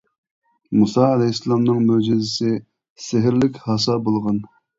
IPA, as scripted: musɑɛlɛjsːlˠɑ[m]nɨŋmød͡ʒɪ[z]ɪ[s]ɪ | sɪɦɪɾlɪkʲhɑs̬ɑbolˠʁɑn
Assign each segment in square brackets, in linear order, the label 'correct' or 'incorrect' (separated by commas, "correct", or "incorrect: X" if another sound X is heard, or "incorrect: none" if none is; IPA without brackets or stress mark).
correct, correct, correct